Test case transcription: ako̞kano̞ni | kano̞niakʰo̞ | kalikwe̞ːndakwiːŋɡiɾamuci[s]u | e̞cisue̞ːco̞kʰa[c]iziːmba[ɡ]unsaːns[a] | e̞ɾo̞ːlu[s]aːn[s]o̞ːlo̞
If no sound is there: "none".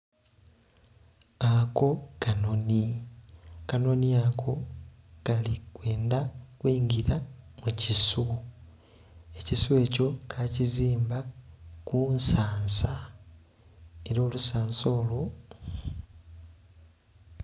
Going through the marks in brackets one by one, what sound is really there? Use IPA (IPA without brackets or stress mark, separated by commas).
s, c, k, a, s, s